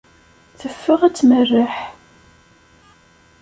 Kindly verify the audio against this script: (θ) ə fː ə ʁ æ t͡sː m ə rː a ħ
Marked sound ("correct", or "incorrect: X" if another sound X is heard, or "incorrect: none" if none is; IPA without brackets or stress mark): correct